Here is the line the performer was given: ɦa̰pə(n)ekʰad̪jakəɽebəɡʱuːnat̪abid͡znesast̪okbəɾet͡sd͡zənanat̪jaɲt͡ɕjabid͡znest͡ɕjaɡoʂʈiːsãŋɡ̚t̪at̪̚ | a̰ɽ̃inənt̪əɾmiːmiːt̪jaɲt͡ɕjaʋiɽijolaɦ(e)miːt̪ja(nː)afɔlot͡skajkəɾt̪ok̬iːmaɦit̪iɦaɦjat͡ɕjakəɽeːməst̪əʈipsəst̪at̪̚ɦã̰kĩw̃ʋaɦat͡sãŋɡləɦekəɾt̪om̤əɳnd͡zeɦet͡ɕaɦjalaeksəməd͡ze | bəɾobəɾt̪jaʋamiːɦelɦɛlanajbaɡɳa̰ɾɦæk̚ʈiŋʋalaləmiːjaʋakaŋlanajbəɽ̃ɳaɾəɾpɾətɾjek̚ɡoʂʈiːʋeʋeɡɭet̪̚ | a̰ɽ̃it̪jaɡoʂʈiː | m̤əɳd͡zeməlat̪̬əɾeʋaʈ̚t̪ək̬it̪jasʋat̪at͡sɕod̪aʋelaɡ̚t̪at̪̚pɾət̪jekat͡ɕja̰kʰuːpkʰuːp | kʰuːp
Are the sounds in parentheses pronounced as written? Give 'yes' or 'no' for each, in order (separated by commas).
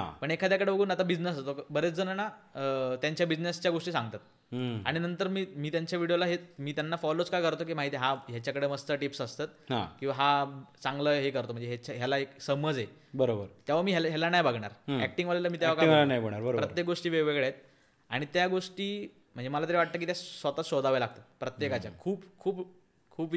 no, yes, yes